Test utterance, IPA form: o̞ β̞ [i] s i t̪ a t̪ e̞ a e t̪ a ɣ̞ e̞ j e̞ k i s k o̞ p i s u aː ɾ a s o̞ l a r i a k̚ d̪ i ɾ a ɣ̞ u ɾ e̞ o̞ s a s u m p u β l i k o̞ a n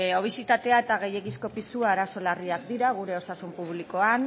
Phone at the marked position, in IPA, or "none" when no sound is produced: i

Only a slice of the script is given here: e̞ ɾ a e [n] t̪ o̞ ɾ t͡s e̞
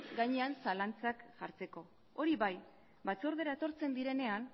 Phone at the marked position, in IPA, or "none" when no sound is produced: none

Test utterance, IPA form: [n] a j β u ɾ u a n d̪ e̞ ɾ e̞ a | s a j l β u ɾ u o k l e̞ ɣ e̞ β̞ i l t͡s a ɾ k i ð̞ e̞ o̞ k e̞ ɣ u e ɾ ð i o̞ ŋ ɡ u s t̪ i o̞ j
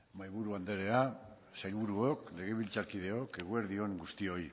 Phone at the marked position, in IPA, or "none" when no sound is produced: m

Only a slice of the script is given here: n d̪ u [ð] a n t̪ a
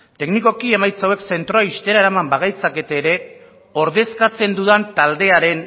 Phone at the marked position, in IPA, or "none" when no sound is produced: ð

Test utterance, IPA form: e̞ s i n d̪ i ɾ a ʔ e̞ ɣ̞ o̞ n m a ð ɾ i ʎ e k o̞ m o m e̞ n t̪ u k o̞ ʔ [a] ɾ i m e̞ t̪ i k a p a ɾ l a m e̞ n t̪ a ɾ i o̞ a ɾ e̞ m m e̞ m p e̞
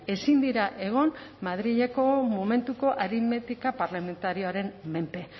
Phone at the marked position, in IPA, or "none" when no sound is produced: a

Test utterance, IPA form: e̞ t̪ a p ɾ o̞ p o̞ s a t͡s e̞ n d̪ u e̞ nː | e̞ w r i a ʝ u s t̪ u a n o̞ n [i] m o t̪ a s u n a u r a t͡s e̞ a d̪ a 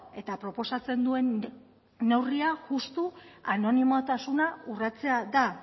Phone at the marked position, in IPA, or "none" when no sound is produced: i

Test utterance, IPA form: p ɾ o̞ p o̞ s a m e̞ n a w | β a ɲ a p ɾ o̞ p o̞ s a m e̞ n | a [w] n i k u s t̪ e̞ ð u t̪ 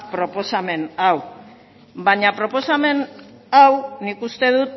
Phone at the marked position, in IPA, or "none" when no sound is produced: w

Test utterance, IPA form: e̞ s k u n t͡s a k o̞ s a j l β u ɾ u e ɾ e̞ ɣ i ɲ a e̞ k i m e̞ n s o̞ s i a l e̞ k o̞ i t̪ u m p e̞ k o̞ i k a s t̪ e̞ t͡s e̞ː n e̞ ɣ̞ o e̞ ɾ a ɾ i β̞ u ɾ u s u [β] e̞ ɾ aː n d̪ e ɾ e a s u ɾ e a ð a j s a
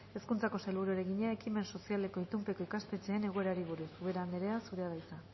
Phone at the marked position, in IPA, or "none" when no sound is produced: β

